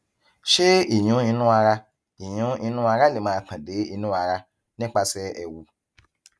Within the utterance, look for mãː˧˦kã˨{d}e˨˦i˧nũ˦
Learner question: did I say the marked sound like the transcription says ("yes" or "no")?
yes